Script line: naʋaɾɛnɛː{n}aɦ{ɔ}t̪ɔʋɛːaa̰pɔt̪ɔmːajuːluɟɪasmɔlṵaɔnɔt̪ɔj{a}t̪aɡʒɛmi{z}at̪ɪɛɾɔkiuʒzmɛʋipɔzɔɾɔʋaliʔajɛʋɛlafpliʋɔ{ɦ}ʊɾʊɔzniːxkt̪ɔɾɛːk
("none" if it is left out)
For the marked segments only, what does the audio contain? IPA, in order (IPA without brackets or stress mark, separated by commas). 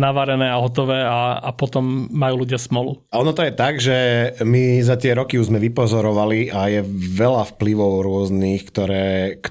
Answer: none, ɔ, ɛ, z, none